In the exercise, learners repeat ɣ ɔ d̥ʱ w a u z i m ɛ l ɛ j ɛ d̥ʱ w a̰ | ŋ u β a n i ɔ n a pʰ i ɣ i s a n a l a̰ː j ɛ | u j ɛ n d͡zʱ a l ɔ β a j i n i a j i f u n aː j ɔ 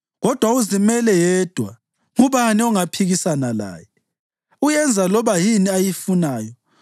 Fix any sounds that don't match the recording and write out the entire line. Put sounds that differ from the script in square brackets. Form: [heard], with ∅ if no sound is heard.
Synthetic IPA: ɣ ɔ d̥ʱ w a u z i m ɛ l ɛ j ɛ d̥ʱ w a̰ | ŋ u β a n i ɔ [ŋ] a pʰ i ɣ i s a n a l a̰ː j ɛ | u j ɛ n d͡zʱ a l ɔ β a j i n i a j i f u n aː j ɔ